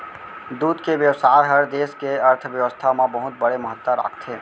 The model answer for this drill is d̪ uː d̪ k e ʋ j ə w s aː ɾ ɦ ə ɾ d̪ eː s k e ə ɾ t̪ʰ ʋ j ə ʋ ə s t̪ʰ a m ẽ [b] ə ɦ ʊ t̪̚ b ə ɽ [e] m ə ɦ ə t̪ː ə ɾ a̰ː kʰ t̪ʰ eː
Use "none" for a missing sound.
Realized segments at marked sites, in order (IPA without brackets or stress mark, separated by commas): b, e